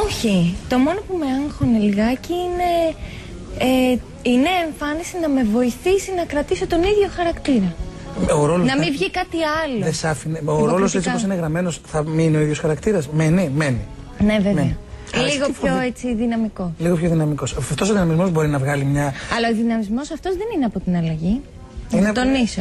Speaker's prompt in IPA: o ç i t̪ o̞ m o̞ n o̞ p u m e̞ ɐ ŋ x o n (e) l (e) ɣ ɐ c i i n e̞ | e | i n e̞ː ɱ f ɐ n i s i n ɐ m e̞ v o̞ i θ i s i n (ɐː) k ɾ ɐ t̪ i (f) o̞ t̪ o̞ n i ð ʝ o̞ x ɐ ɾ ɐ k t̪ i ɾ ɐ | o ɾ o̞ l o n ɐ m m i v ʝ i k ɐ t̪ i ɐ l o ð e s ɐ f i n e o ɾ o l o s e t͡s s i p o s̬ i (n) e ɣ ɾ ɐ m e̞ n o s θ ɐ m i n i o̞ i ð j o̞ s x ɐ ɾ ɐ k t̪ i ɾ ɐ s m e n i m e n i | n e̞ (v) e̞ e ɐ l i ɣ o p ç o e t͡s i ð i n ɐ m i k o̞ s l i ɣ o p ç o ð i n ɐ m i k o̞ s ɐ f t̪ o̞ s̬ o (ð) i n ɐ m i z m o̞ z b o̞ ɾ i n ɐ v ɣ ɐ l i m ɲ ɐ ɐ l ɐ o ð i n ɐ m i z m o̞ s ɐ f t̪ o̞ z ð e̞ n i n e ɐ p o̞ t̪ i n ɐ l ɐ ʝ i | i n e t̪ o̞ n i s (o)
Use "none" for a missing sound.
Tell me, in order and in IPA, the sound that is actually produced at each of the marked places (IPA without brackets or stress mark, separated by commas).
e, i, ɐ, s, n, v, ð, o